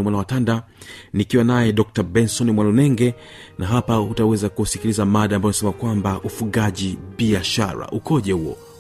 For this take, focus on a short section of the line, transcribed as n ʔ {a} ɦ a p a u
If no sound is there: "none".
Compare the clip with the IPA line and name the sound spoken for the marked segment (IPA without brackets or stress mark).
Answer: a